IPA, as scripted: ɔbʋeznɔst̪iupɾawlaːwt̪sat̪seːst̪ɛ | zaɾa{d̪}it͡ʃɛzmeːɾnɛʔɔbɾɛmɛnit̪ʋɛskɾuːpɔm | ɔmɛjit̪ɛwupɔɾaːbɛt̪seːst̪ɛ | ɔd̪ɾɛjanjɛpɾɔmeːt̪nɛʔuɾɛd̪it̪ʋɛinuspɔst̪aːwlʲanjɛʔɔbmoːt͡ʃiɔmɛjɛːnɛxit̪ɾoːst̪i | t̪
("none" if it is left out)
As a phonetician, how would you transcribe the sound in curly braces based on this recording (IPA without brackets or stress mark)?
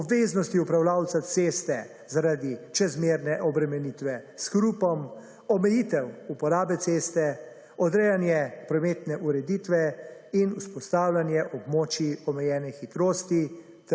d̪